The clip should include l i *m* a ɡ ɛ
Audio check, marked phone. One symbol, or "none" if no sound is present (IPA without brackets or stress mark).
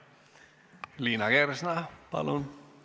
n